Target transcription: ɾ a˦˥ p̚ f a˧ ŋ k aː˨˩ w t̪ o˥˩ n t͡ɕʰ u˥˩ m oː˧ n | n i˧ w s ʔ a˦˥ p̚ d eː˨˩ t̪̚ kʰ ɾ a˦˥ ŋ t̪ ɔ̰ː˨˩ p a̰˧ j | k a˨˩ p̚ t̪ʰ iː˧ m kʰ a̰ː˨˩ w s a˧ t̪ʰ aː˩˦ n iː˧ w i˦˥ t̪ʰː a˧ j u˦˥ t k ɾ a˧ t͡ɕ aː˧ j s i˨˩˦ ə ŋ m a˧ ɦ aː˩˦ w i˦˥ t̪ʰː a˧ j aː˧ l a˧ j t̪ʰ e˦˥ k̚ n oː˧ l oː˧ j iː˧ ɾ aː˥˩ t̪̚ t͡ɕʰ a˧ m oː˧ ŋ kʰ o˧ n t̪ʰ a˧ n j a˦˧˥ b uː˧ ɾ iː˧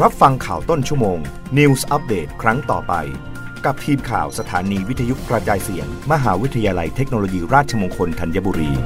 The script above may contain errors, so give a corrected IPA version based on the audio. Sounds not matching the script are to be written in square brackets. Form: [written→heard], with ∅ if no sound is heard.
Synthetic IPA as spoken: ɾ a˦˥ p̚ f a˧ ŋ [k→kʰ] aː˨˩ w t̪ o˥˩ n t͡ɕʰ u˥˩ m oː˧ [n→ŋ] | n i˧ w s ʔ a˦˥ p̚ d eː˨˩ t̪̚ kʰ ɾ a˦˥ ŋ t̪ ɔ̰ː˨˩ p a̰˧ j | k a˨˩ p̚ t̪ʰ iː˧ m kʰ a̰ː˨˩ w s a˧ t̪ʰ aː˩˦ n iː˧ w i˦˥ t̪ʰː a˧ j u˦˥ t k ɾ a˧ t͡ɕ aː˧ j s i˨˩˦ ə ŋ m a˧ ɦ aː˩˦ w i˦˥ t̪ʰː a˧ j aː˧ l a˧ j t̪ʰ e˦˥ k̚ n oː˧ l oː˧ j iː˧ ɾ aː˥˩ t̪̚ t͡ɕʰ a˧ m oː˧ ŋ kʰ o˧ n t̪ʰ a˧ n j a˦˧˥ b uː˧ ɾ iː˧